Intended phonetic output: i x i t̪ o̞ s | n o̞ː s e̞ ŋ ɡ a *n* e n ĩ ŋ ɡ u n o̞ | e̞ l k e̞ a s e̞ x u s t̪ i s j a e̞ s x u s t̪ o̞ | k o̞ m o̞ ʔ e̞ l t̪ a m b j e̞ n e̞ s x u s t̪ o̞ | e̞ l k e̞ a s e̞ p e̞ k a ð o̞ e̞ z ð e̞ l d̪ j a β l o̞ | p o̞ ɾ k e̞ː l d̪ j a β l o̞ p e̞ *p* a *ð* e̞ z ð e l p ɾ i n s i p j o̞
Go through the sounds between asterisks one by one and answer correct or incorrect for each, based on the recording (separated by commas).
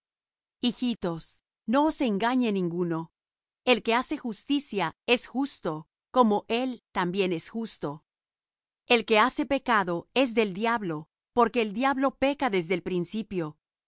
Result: incorrect, incorrect, correct